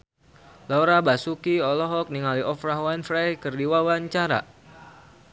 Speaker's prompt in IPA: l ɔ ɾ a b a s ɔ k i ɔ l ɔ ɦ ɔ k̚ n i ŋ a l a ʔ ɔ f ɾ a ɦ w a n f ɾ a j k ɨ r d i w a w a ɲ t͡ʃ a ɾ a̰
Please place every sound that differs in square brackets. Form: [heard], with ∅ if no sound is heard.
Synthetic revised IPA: l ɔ ɾ a b a s [u] k i ɔ l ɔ ɦ ɔ k̚ n i ŋ a l [i] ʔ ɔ f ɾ a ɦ w a n f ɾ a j k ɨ r d i w a w a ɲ t͡ʃ a ɾ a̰